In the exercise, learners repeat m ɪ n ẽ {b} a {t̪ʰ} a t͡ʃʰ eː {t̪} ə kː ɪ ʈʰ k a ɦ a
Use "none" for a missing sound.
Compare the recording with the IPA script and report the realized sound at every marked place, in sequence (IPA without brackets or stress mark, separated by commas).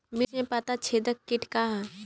p, t̪, d̪